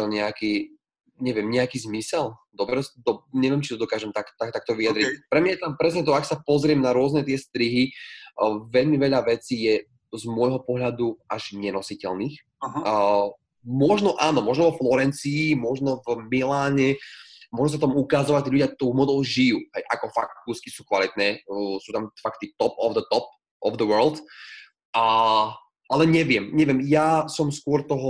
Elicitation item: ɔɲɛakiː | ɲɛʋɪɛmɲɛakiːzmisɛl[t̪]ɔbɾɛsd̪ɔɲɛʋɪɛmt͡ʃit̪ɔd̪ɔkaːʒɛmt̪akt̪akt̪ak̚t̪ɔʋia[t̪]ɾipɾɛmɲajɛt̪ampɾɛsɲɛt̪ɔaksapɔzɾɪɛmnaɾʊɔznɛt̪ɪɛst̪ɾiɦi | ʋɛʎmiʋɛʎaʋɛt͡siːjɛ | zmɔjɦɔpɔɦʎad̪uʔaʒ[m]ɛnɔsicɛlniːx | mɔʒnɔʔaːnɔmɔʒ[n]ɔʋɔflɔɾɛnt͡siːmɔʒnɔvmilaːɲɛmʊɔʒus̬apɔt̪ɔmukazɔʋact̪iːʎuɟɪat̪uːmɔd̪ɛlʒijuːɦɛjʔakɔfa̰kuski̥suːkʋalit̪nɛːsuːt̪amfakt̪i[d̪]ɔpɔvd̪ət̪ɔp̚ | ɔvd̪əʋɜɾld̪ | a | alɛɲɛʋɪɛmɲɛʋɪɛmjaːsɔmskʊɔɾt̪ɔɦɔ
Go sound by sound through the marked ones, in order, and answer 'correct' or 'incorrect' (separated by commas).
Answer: incorrect, incorrect, incorrect, correct, incorrect